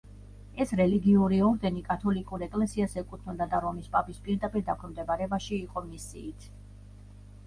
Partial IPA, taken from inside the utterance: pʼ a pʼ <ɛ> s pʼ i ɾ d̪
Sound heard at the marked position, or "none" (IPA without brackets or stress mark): i